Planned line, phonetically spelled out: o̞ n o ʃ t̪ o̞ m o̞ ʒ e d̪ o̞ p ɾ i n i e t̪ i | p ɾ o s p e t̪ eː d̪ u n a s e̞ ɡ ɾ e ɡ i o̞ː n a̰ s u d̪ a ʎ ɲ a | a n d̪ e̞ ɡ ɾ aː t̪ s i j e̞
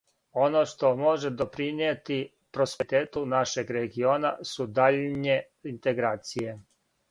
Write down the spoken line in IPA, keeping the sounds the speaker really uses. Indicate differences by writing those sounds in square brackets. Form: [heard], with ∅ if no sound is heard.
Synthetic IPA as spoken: o̞ n o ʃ t̪ o̞ m o̞ ʒ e d̪ o̞ p ɾ i n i e t̪ i | p ɾ o s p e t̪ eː [t̪] u n a [ʃ] e̞ ɡ ɾ e ɡ i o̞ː n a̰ s u d̪ a ʎ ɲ [e] | [i] n [t̪] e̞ ɡ ɾ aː t̪ s i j e̞